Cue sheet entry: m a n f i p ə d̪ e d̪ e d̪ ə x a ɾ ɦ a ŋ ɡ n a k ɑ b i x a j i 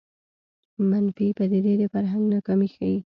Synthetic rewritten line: m a n f i p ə d̪ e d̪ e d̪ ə f a ɾ ɦ a ŋ ɡ n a k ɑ m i x a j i